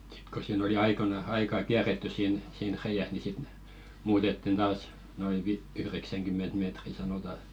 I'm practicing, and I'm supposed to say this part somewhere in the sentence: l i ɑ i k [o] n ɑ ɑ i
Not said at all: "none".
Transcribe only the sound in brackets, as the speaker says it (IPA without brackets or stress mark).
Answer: o